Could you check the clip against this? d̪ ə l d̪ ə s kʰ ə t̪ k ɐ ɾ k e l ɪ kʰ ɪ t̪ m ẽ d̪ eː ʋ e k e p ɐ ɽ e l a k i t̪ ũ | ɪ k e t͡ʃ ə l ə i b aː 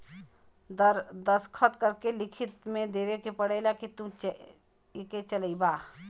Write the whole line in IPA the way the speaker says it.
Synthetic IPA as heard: d̪ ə ɾ d̪ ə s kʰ ə t̪ k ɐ ɾ k e l ɪ kʰ ɪ t̪ m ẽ d̪ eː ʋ e k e p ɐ ɽ e l a k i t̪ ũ | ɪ k e t͡ʃ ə l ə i b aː